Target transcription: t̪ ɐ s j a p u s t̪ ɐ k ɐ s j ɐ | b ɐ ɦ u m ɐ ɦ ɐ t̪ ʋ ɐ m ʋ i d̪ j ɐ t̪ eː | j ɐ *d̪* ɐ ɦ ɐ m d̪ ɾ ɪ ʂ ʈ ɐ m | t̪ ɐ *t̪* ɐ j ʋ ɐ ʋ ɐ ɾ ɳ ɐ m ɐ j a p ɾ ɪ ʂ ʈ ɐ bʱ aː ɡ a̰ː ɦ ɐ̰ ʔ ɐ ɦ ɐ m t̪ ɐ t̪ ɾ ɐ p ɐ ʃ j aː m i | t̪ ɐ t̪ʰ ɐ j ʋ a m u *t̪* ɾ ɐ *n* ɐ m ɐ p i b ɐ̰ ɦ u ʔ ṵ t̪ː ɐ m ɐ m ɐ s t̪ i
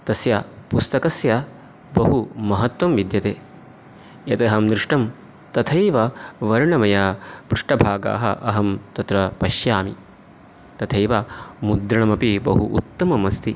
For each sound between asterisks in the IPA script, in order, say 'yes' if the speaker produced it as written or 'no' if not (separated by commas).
no, no, no, no